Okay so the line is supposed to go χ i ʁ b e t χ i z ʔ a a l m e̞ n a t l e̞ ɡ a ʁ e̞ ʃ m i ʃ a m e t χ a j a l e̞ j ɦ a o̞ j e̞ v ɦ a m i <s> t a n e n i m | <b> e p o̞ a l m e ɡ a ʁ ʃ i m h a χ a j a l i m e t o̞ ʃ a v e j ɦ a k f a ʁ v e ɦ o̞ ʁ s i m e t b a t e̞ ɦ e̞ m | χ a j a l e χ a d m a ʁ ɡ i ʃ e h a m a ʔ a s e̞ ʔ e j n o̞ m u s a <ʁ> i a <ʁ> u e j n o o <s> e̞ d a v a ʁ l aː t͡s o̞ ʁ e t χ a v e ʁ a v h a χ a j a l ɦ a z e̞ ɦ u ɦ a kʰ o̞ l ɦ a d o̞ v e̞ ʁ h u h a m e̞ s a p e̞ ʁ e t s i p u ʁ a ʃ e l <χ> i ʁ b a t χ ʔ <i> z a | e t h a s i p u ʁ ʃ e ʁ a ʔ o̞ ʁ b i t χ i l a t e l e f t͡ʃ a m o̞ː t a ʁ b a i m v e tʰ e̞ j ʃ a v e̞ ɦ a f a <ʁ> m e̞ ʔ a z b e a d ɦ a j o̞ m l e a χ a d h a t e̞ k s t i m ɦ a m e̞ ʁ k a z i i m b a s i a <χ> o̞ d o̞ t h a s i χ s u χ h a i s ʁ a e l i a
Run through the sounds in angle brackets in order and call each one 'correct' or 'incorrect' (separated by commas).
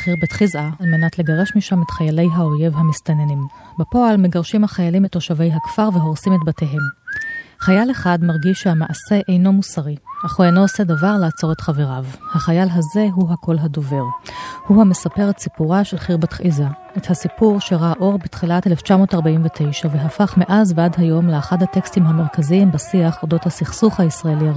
correct, correct, correct, incorrect, correct, correct, correct, incorrect, correct